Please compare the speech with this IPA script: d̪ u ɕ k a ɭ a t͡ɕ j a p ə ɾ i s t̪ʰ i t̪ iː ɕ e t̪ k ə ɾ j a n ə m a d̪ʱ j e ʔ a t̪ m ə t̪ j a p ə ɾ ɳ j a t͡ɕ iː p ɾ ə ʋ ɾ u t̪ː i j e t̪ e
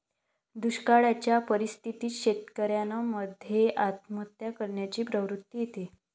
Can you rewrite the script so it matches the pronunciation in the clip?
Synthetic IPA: d̪ u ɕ k a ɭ a t͡ɕ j a p ə ɾ i s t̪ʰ i t̪ iː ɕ e t̪ k ə ɾ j a n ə m ə d̪ʱ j e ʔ a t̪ m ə t̪ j a k ə ɾ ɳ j a t͡ɕ iː p ɾ ə ʋ ɾ u t̪ː i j e t̪ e